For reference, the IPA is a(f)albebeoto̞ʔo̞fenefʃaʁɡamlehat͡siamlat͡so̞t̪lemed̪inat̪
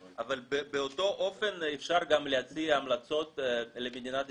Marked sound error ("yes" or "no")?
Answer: yes